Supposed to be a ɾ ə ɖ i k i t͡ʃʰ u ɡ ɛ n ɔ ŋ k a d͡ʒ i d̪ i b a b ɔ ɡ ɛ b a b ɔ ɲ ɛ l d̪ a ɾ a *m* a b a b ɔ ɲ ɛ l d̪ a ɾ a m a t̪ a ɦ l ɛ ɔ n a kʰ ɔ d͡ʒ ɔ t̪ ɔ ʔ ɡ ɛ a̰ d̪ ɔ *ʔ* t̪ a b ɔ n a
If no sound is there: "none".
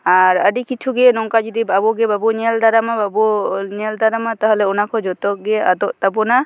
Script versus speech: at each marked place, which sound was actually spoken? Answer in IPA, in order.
m, ʔ

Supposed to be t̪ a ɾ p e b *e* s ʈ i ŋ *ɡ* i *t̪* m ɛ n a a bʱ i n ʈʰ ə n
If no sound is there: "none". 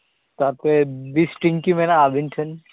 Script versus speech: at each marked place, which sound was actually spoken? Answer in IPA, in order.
i, k, none

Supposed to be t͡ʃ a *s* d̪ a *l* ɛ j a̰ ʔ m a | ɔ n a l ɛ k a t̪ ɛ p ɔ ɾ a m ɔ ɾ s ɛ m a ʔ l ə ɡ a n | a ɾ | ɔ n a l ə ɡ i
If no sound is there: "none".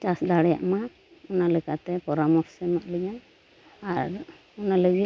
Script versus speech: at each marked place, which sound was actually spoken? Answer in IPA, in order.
s, ɽ

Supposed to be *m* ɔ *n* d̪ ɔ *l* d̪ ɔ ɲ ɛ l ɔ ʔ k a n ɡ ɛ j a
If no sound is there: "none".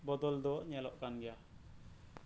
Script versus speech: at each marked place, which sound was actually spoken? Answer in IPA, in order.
b, none, l

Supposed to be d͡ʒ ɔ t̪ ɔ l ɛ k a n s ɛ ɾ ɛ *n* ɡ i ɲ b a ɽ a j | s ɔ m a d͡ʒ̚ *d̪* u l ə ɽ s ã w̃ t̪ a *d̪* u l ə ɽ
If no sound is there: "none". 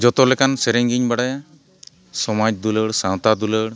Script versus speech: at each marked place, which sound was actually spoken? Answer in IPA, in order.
ŋ, d̪, d̪

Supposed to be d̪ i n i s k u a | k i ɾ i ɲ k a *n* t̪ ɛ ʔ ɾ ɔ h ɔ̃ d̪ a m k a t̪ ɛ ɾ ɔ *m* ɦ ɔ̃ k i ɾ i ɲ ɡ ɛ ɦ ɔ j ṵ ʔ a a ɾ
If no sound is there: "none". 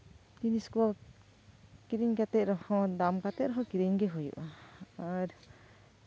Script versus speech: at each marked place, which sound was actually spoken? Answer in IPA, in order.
none, none

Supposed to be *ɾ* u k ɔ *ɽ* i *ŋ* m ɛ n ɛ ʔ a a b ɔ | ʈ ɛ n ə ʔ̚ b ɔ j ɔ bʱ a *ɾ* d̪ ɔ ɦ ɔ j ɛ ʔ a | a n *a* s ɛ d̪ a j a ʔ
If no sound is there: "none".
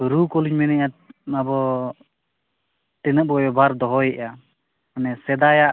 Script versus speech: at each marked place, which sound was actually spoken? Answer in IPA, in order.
ɾ, l, ɲ, ɾ, ɛ

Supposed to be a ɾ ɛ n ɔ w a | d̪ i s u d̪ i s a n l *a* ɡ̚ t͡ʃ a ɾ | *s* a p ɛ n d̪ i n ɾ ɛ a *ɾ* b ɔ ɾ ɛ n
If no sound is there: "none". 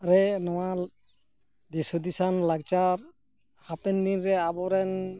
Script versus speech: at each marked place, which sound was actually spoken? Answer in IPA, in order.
a, h, none

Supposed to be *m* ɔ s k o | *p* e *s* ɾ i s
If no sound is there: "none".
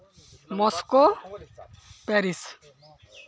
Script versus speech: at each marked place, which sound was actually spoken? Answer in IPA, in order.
m, p, none

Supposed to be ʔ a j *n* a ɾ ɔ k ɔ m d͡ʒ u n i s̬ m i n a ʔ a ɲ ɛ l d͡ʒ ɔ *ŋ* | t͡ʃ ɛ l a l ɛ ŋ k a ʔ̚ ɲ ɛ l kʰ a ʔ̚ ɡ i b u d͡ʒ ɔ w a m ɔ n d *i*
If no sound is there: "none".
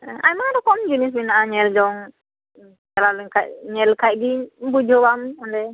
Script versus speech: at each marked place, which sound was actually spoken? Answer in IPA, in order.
m, ŋ, ɛ

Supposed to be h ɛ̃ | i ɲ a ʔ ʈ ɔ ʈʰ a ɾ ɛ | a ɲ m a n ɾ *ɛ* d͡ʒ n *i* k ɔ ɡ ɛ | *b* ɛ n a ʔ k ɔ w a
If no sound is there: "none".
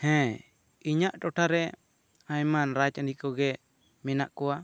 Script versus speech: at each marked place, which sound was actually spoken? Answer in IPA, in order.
a, i, m

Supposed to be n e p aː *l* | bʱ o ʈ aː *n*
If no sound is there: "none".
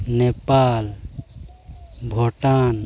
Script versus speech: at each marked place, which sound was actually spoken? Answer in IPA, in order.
l, n

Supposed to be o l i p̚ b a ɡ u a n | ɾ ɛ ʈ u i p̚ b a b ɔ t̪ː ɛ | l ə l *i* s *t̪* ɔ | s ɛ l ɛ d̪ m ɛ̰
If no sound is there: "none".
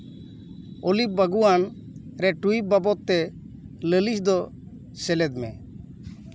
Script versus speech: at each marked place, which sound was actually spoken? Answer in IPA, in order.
i, d̪

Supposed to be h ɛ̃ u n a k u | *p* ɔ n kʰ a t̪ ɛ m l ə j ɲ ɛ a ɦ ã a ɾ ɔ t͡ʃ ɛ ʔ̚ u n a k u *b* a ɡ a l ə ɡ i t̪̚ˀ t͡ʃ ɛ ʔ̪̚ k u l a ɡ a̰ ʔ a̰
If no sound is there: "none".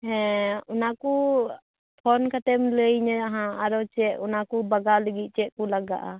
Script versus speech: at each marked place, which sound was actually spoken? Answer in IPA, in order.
pʰ, b

